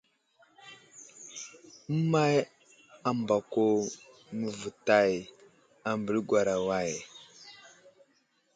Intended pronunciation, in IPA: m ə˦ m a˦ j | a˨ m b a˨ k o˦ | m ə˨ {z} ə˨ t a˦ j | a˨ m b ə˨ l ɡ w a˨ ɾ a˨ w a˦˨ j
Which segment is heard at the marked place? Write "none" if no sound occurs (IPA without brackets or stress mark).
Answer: v